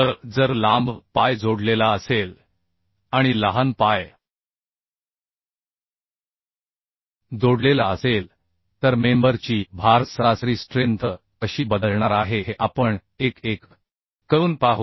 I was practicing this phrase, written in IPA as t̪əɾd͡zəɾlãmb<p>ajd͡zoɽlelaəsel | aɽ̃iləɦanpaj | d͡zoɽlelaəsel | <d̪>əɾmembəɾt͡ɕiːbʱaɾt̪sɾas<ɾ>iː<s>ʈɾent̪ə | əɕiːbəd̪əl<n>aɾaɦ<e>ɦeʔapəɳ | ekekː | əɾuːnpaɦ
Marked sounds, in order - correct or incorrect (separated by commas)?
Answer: correct, incorrect, correct, correct, incorrect, correct